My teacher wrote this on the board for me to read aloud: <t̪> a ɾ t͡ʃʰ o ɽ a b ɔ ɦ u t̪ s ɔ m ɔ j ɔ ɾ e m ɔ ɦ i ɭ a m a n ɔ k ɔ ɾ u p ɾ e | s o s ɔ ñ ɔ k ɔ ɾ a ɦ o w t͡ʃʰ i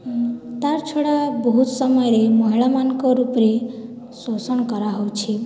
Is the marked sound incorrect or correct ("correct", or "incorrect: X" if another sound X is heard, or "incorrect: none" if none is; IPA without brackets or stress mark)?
correct